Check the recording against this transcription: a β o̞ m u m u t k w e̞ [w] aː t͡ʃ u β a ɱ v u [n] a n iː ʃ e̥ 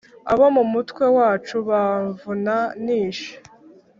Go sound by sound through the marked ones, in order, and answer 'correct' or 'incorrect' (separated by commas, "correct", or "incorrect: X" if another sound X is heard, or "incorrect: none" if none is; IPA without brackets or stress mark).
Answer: correct, correct